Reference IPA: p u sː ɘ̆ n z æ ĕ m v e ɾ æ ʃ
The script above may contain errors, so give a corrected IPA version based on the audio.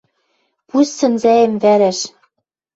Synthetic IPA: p u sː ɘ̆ n z æ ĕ m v æ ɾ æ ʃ